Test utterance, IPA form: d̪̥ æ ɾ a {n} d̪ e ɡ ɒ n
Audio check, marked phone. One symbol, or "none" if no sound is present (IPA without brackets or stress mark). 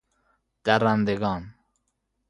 n